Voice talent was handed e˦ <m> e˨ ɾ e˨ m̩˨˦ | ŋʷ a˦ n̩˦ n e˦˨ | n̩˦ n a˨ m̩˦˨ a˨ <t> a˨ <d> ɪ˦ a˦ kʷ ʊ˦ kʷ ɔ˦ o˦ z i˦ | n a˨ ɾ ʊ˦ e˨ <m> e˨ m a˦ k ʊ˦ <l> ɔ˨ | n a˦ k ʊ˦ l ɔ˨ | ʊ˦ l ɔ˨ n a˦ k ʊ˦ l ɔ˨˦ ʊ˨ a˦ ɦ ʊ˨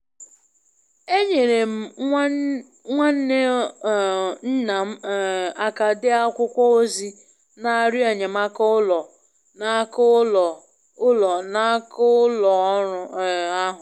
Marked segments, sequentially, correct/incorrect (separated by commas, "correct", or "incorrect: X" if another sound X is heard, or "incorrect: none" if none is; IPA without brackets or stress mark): incorrect: ɲ, incorrect: k, correct, incorrect: ɲ, correct